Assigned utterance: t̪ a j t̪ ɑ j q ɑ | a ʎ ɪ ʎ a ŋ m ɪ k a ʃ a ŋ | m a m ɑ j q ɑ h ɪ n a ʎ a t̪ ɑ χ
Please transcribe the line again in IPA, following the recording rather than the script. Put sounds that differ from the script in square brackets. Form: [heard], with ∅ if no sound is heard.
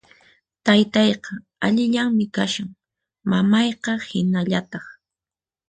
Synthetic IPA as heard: t̪ a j t̪ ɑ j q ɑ | a ʎ ɪ ʎ a ŋ m ɪ k a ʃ a ŋ | m a m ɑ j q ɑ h ɪ n a ʎ a t̪ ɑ χ